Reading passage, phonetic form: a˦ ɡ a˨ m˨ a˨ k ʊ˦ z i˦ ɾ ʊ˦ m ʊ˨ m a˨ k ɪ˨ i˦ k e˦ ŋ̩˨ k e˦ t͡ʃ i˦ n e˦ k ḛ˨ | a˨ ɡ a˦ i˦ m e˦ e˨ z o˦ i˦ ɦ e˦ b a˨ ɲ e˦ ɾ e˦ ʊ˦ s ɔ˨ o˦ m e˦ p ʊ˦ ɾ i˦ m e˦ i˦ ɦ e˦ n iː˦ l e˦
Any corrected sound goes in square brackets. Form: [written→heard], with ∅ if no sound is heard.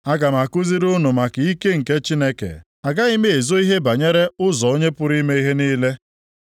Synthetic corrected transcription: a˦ ɡ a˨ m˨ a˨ k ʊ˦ z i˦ ɾ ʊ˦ [m→n] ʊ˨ m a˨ k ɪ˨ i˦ k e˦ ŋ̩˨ k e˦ t͡ʃ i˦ n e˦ k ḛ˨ | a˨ ɡ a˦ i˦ m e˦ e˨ z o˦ i˦ ɦ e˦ b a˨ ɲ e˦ ɾ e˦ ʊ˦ [s→z] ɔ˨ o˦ [m→ɲ] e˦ p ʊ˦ ɾ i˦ m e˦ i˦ ɦ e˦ n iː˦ l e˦